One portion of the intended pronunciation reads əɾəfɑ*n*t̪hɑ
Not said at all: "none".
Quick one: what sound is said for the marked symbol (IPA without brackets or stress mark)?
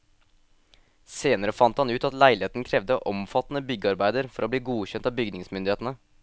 n